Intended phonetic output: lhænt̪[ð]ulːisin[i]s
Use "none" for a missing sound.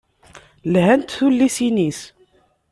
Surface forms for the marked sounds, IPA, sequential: θ, i

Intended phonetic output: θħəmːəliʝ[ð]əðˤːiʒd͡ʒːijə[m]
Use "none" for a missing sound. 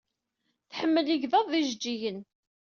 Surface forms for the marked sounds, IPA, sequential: ð, n

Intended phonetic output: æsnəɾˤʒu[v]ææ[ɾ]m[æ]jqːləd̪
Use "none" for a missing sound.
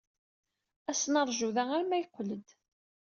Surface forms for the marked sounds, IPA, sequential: ð, ɾ, æ

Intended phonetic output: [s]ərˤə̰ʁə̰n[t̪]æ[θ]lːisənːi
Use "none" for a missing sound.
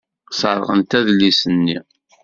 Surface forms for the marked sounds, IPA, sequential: s, t̪, ð

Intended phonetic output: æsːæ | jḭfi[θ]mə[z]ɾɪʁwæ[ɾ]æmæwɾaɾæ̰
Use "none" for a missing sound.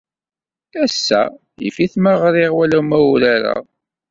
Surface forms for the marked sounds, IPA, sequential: θ, ʁ, l

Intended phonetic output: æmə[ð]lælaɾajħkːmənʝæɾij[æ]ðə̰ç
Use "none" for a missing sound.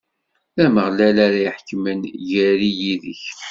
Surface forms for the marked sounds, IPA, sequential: ʁ, i

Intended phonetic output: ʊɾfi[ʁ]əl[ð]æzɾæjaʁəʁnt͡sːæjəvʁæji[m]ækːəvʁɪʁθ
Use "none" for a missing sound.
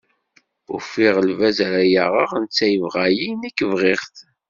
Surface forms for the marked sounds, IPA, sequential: ʁ, v, n

